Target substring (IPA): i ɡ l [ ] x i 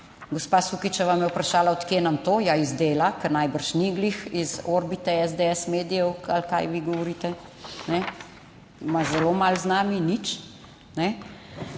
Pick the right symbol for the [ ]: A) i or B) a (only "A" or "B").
A